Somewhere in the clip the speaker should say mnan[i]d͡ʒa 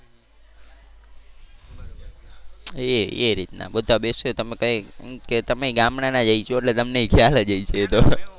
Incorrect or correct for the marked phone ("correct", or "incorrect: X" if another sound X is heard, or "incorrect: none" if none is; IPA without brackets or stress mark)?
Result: incorrect: a